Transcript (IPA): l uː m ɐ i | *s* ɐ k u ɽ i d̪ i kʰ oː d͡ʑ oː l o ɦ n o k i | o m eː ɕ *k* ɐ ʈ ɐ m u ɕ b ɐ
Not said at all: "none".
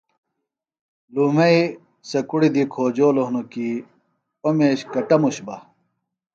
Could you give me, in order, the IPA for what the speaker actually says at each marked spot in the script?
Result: s, k

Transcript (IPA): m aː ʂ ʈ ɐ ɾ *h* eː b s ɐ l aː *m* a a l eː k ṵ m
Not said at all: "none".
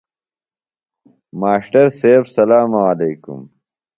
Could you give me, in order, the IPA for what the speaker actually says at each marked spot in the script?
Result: s, m

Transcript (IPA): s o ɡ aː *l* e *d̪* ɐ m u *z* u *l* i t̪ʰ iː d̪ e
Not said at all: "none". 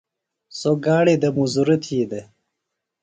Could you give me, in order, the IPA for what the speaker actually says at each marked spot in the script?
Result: ɽ, d̪, z, ɾ

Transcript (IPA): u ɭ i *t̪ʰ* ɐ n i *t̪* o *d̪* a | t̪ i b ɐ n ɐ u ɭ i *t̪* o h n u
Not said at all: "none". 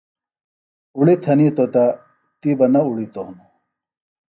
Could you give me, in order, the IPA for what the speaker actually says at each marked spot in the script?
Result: t̪ʰ, t̪, t̪, t̪

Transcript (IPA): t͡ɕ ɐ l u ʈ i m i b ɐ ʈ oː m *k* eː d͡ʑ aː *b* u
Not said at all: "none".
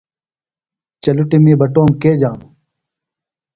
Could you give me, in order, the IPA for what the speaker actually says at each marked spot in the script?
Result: k, m

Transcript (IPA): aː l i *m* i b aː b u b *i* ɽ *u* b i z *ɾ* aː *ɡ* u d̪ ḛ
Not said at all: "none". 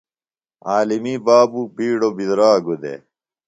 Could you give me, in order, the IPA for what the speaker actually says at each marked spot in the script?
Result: m, iː, o, ɾ, ɡ

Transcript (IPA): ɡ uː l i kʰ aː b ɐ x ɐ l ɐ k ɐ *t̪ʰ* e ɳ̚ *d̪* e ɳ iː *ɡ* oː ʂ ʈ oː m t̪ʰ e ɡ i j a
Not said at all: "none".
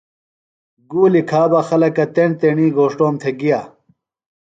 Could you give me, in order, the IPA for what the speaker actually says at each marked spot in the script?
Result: t̪, t̪, ɡ

